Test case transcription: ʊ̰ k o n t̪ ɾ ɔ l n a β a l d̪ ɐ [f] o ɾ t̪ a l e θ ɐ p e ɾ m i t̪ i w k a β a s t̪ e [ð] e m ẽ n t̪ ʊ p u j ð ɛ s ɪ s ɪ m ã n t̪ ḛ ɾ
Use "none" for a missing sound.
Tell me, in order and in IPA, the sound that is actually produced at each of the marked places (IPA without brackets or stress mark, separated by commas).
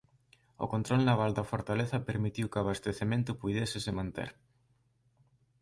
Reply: f, θ